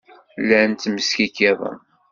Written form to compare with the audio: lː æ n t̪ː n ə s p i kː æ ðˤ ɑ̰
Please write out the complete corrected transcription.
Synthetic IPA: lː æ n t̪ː m ə s k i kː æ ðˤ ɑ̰